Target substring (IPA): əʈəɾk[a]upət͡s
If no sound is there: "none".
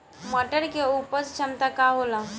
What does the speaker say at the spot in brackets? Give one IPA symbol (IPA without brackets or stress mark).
e